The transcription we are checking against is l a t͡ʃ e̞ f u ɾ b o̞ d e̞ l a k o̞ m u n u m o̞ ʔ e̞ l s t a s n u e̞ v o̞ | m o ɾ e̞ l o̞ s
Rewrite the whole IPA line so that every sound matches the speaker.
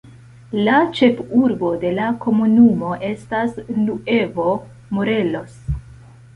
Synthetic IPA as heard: l a t͡ʃ e̞ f u ɾ b o̞ d e̞ l a k o̞ m u n u m o̞ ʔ e̞ s t a s n u e̞ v o̞ | m o ɾ e̞ l o̞ s